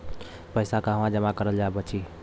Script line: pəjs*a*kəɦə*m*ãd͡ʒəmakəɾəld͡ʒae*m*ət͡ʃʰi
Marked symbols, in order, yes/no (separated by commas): yes, yes, no